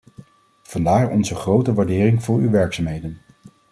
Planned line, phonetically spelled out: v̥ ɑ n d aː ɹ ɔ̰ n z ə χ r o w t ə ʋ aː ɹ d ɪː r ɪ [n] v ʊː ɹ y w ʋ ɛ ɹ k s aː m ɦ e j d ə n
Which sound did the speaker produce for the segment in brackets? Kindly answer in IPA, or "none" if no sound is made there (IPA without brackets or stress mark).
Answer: ŋ